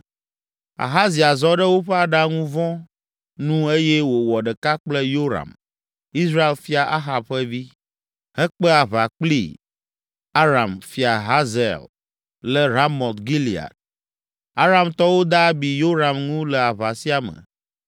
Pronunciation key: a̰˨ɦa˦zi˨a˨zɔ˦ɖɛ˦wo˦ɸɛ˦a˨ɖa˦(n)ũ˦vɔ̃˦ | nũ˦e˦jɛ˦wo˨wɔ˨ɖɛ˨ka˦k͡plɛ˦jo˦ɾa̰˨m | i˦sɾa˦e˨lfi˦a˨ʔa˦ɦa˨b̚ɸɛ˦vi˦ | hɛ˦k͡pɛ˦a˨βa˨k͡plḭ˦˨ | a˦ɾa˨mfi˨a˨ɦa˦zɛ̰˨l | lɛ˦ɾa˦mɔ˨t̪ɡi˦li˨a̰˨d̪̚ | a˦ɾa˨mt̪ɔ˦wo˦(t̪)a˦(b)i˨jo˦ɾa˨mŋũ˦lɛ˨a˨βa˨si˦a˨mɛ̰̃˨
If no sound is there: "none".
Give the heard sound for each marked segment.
ŋ, d̪, b

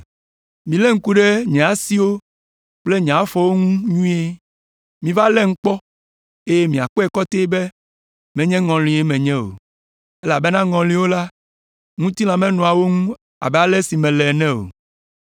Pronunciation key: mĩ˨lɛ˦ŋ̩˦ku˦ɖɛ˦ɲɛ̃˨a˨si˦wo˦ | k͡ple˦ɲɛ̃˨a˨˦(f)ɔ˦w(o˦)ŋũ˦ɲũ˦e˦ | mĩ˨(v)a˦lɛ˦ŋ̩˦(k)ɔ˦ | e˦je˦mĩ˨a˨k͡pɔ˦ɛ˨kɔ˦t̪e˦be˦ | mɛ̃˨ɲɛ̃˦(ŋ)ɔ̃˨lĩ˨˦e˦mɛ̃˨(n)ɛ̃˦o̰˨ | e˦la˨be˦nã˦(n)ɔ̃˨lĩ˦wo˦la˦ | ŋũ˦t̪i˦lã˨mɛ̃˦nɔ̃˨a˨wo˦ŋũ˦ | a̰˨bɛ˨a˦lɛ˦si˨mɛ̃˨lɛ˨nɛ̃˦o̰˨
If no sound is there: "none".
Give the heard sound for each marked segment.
f, o˦, v, k͡p, ŋ, ɲ, ŋ

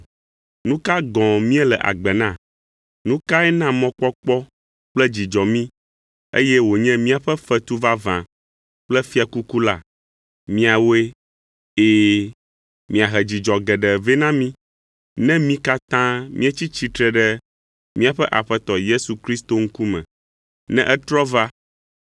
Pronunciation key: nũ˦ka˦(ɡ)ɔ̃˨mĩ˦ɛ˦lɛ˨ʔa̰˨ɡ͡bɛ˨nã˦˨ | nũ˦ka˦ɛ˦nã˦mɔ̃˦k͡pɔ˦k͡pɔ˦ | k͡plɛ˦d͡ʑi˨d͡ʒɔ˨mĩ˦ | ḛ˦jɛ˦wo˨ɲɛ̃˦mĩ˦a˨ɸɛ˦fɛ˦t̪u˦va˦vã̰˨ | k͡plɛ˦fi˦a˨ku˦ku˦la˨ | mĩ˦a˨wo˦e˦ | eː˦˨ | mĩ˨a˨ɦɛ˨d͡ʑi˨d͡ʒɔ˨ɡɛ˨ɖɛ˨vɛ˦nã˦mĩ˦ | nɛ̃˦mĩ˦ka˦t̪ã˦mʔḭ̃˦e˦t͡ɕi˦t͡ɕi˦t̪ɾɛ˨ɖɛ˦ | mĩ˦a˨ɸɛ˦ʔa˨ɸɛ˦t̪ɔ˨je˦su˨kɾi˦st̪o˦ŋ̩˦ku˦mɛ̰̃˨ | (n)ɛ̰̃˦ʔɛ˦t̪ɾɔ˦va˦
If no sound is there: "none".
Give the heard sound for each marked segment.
ɡ, n

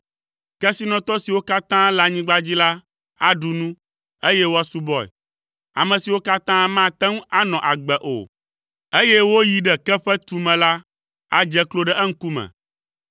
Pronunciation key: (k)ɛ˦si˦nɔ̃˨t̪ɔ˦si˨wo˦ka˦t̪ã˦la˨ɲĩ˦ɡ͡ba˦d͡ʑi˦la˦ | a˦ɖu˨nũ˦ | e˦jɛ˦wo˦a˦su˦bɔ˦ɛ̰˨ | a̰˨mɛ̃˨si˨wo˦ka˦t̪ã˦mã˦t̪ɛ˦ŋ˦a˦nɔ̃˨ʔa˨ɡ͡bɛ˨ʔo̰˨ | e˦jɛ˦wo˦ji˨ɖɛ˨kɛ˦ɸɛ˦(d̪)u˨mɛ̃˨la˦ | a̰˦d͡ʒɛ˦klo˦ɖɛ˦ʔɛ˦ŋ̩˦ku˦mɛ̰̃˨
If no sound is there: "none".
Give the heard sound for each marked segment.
k, t̪

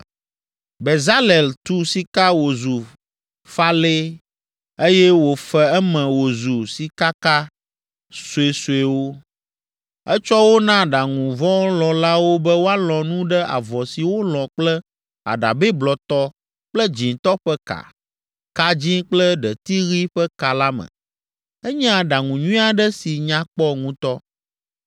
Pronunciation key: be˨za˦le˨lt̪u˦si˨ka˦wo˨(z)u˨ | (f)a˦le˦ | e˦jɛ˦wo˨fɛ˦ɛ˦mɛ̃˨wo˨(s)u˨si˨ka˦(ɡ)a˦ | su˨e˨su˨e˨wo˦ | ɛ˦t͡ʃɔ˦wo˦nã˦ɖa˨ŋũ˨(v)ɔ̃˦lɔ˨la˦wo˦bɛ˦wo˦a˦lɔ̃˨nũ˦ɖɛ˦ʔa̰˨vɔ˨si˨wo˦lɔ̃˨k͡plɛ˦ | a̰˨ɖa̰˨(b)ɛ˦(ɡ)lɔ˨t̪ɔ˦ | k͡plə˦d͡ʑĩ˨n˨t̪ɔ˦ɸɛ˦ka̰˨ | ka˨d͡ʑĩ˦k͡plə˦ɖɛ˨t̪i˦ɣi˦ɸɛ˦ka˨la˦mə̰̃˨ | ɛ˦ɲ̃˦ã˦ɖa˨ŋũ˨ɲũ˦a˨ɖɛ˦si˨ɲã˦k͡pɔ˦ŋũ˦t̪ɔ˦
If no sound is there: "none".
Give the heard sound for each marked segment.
z, f, z, k, v, b, b

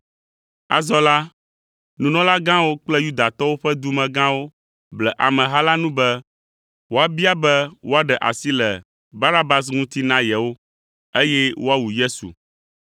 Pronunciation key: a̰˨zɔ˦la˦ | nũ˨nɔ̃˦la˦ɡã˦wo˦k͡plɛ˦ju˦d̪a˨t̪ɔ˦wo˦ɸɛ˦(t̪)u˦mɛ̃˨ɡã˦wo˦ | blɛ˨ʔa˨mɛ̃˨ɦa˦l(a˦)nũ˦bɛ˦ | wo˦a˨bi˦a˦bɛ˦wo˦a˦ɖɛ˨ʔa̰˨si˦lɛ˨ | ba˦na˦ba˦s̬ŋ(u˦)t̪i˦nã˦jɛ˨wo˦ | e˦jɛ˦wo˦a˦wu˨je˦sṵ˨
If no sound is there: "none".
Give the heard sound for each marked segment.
d̪, a˦, ũ˦

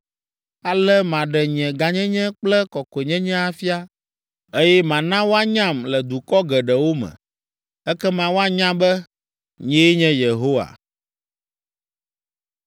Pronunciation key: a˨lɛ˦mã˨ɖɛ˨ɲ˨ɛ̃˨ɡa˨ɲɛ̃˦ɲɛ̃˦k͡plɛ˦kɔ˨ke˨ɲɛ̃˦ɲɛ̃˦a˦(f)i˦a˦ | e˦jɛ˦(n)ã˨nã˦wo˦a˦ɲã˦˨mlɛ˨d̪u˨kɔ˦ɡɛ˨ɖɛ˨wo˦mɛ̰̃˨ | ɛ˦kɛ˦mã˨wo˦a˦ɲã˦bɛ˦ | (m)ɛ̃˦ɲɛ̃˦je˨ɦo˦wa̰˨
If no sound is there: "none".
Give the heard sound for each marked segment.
f, m, ɲ

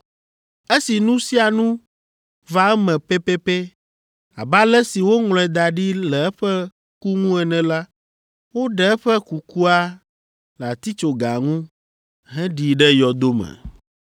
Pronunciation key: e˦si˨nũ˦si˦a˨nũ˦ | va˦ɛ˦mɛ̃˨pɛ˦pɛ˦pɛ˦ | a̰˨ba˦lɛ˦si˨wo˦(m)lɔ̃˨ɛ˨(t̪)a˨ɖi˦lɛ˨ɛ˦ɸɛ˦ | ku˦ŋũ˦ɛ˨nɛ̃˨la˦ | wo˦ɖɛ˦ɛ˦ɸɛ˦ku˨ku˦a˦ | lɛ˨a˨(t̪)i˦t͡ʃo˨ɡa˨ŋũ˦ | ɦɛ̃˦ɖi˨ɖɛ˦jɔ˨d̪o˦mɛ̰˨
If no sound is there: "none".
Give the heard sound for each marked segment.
ŋ, d̪, t̪

